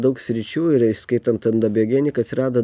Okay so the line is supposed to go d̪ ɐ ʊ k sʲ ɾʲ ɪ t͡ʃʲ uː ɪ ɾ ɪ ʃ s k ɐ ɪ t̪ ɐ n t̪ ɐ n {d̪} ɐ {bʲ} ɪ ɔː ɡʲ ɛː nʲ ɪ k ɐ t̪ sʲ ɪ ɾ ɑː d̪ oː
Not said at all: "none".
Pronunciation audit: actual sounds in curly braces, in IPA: d̪, bʲ

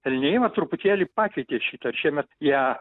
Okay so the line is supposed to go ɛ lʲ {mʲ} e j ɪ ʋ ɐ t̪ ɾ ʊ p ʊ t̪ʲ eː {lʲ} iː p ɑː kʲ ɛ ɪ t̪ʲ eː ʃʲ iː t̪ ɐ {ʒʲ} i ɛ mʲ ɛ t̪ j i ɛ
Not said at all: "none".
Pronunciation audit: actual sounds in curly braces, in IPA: nʲ, lʲ, ʃʲ

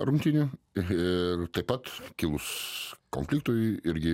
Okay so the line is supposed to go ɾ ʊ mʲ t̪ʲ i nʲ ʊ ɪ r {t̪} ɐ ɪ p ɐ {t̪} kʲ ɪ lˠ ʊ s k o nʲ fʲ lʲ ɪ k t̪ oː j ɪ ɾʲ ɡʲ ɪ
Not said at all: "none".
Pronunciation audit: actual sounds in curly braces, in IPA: t̪, t̪

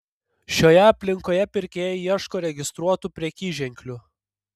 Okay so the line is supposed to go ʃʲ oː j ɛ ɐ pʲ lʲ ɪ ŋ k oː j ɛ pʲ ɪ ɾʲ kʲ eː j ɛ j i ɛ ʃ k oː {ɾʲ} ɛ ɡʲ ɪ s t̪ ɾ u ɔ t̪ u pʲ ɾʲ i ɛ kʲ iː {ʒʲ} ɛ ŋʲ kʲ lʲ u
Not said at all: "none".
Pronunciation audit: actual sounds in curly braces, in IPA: ɾʲ, ʒʲ

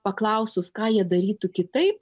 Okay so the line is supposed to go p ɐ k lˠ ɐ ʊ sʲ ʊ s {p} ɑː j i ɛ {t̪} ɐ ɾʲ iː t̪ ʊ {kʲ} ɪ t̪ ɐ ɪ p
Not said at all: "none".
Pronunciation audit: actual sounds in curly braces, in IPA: k, d̪, kʲ

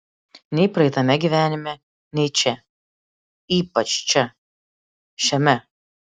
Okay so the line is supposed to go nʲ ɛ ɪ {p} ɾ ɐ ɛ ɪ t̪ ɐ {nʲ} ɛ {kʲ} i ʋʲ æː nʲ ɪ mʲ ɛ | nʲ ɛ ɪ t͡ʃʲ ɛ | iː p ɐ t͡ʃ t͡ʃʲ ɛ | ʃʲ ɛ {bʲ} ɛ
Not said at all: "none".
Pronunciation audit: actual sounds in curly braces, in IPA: p, mʲ, ɡʲ, mʲ

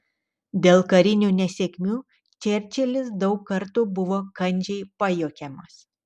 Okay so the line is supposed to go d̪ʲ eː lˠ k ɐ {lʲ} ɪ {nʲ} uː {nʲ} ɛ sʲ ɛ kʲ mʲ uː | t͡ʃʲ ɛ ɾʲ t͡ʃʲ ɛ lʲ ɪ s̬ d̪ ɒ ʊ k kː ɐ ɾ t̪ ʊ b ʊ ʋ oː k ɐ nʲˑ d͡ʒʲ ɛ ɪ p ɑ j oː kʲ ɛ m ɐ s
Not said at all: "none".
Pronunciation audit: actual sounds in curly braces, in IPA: ɾʲ, nʲ, nʲ

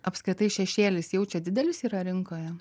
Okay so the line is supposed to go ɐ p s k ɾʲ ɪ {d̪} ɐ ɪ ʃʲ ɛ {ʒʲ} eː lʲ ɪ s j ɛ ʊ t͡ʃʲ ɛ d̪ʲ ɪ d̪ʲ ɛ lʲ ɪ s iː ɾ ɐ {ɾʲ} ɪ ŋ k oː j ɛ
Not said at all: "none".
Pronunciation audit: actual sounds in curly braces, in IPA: t̪, ʃʲ, ɾʲ

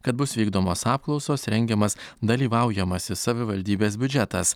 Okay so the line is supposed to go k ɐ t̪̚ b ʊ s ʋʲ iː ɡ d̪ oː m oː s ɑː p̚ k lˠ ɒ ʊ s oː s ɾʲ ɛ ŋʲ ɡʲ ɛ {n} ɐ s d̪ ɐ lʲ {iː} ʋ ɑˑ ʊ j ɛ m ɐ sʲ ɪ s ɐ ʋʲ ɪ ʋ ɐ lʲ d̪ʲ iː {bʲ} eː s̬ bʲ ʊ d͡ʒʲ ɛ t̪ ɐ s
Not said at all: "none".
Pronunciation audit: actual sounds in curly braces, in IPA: m, iː, bʲ

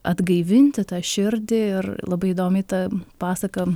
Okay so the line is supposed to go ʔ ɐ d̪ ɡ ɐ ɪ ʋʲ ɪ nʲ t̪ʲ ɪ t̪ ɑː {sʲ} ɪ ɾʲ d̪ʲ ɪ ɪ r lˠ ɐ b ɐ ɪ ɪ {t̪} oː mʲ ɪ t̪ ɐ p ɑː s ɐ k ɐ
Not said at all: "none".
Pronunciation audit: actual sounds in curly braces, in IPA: ʃʲ, d̪

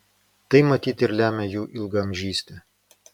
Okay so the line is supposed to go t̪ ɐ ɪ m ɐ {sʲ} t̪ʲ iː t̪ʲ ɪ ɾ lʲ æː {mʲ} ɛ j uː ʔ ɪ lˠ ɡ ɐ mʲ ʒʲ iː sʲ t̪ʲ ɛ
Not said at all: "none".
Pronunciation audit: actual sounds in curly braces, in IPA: none, mʲ

